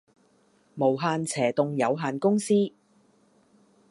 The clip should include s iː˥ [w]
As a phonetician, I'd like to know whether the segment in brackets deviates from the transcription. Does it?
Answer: yes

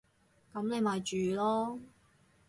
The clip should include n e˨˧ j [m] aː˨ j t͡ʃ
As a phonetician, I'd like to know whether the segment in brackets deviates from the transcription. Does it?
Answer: no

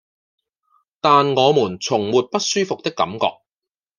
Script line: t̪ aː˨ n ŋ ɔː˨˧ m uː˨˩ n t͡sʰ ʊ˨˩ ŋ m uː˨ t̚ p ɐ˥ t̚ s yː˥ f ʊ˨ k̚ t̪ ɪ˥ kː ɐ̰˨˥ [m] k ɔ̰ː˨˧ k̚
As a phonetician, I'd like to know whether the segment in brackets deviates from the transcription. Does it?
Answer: no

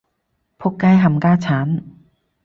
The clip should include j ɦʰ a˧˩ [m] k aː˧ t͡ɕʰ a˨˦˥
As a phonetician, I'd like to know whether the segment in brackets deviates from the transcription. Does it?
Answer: no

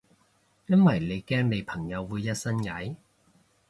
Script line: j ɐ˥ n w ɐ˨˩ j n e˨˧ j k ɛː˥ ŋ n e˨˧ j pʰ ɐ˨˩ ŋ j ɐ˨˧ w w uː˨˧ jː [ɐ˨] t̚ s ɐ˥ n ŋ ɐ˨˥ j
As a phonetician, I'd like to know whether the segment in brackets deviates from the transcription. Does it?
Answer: yes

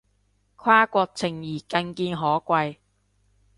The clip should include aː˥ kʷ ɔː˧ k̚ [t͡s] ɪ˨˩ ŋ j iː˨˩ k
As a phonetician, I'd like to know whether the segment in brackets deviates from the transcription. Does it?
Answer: yes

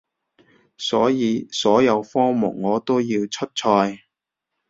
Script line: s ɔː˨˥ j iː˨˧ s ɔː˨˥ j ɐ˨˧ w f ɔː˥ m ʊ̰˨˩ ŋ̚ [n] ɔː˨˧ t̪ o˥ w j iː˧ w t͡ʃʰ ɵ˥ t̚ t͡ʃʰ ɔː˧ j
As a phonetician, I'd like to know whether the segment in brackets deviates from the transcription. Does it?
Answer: yes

